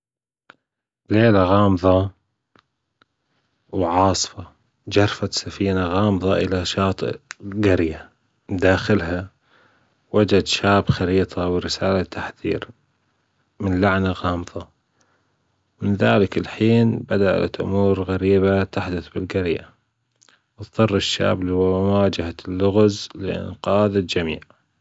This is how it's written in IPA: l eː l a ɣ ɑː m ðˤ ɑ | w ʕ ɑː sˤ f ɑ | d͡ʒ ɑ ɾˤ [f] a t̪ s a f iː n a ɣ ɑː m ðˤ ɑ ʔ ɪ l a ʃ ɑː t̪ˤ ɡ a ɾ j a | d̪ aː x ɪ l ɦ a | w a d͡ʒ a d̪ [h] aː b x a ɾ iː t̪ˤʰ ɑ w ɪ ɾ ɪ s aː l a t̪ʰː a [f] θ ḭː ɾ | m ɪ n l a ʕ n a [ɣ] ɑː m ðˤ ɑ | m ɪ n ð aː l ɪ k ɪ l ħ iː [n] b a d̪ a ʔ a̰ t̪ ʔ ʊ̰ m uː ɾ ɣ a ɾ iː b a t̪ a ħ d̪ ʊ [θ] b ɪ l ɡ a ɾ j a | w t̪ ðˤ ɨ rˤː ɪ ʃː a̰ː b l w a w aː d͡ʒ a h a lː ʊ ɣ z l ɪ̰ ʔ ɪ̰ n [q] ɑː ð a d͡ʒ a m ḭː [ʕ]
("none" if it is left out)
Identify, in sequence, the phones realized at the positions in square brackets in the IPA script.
f, ʃ, ħ, ɣ, n, θ, q, ʕ

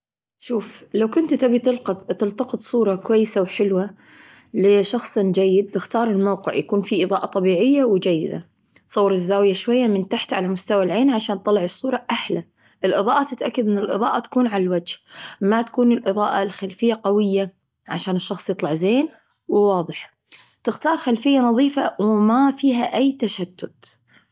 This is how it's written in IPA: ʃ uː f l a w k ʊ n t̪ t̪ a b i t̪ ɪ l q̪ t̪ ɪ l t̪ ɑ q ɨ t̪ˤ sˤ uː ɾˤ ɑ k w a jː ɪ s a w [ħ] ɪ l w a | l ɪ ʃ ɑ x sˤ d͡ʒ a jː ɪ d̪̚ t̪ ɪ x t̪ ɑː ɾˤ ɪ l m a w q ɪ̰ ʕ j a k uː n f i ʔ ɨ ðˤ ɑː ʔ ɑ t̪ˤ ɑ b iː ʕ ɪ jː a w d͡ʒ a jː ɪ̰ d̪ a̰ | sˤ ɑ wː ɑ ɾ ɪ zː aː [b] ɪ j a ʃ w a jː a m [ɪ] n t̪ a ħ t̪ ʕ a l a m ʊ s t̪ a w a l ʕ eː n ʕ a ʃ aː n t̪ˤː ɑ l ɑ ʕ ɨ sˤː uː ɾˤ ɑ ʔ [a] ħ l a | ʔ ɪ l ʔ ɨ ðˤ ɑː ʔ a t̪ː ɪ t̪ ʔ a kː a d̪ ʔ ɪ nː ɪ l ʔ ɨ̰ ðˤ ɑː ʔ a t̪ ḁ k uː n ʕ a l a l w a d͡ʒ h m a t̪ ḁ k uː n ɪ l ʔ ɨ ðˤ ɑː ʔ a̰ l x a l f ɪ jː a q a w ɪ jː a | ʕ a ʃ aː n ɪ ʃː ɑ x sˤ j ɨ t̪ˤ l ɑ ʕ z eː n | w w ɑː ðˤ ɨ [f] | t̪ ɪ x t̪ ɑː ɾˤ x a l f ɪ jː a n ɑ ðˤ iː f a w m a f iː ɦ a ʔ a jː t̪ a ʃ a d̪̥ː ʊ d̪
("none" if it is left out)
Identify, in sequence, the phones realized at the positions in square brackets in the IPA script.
ħ, w, ɪ, a, ħ

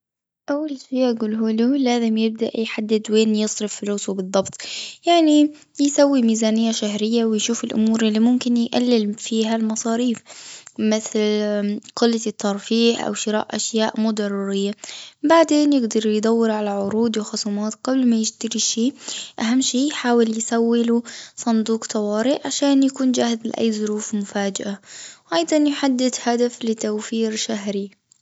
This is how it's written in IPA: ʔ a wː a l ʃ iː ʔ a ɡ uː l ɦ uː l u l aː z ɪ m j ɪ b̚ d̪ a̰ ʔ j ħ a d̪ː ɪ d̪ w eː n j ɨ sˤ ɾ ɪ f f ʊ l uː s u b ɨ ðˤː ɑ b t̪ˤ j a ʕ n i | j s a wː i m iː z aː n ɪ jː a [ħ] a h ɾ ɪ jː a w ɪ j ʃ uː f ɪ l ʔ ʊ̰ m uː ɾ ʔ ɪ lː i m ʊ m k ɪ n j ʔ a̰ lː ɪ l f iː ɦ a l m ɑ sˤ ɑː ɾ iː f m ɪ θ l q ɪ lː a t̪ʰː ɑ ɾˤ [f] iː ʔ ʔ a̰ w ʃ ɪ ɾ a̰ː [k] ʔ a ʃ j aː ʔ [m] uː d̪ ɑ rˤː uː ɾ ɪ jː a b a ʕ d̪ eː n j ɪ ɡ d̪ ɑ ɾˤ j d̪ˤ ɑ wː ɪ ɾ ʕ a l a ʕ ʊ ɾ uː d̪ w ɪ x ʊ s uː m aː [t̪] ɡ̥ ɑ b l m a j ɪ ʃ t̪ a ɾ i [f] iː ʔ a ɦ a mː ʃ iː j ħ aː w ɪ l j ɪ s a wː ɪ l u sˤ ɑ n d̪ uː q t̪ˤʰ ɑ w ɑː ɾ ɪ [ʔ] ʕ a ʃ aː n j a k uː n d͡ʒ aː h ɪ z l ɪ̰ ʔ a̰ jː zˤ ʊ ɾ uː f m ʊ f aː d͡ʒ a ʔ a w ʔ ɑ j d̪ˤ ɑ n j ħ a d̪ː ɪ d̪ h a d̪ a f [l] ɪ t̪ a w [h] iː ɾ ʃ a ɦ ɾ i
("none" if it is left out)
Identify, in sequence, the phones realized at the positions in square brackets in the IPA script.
ʃ, f, ʔ, m, t̪, ʃ, ʔ, l, f

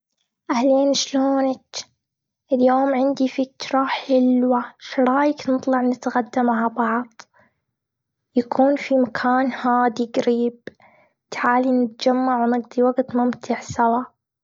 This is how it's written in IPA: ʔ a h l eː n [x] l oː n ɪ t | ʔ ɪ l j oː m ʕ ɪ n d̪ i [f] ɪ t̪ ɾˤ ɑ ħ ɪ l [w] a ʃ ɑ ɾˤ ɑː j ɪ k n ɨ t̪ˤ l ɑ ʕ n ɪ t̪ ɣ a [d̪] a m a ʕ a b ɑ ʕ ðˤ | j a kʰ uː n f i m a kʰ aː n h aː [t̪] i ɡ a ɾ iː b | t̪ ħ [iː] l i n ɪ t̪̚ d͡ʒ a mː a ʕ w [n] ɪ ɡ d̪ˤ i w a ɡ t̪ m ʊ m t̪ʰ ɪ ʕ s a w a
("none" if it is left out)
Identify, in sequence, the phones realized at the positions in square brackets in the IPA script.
ʃ, f, w, d̪ː, d̪, aː, n

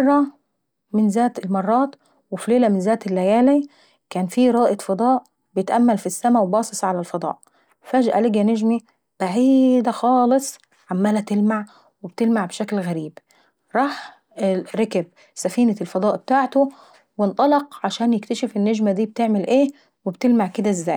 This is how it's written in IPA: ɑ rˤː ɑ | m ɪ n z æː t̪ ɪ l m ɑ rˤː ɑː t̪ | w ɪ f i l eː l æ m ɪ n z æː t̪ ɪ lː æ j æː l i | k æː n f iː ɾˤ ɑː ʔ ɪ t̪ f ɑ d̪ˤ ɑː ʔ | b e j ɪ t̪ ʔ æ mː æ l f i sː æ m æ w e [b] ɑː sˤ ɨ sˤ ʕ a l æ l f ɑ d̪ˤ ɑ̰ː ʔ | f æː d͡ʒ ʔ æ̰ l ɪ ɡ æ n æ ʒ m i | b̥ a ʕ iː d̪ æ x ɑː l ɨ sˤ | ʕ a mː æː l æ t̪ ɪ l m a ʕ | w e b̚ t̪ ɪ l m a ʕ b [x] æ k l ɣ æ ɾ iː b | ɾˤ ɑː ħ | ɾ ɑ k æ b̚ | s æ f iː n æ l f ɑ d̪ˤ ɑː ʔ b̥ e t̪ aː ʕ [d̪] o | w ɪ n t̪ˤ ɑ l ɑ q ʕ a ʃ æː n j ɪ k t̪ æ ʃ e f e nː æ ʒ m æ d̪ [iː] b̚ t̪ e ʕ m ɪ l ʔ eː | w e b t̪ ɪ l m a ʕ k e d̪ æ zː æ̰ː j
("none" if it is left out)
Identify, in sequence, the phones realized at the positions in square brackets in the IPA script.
b, ʃ, t̪, iː

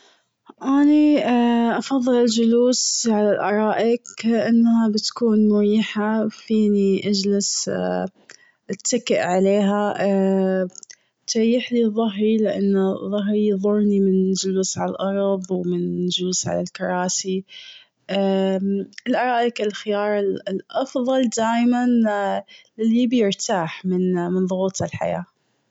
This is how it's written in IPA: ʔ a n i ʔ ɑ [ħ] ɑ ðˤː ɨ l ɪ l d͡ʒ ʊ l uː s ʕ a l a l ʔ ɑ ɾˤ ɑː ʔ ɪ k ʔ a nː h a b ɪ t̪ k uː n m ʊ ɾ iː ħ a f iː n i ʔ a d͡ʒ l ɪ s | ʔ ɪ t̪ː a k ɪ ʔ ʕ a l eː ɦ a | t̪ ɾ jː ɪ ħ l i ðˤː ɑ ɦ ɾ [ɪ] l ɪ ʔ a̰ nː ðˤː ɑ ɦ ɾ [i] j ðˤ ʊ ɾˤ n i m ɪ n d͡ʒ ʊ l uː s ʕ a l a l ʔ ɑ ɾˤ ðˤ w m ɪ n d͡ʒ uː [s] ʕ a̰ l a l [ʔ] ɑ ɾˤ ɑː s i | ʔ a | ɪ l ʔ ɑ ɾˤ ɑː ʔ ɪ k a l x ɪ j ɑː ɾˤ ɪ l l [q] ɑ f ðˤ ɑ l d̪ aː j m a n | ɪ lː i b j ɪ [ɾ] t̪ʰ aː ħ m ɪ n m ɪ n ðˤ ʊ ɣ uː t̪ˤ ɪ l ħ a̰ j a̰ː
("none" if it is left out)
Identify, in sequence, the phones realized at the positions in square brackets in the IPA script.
f, i, i, s, k, ʔ, ɾ

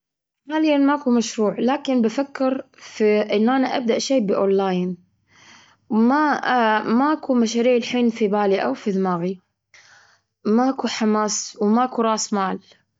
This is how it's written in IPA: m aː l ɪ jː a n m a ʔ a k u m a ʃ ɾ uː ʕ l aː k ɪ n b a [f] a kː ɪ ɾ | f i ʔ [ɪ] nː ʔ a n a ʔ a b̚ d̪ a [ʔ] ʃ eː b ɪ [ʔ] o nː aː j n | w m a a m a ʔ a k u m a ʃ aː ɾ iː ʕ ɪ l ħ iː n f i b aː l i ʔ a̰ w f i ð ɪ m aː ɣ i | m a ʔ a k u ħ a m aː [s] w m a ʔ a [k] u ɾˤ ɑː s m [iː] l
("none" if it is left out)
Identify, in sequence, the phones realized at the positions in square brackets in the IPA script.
f, ɪ, ʔ, ʔ, s, k, aː

